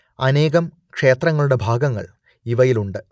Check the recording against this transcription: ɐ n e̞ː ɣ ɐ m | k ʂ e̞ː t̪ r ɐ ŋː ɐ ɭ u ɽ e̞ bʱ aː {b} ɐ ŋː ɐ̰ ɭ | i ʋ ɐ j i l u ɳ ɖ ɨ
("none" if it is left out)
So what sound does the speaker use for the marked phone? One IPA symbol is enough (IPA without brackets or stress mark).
ɡ